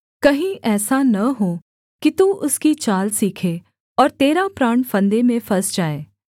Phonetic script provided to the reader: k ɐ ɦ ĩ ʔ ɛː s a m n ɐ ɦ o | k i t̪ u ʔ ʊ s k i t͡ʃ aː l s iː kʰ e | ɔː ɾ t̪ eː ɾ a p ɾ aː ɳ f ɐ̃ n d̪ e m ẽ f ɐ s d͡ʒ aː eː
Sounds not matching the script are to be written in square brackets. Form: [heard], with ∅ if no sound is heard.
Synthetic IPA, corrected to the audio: k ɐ ɦ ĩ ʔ ɛː s a [∅] n ɐ ɦ o | k i t̪ u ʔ ʊ s k i t͡ʃ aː l s iː kʰ e | ɔː ɾ t̪ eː ɾ a p ɾ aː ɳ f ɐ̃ n d̪ e m ẽ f ɐ s d͡ʒ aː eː